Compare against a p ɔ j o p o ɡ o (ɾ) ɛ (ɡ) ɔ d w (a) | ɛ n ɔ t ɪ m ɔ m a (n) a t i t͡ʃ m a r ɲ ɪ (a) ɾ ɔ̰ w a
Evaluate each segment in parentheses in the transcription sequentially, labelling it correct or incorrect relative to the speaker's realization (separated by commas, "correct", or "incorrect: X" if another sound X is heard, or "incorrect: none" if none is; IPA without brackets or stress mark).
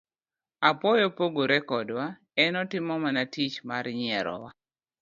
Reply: correct, incorrect: k, correct, correct, incorrect: ɛ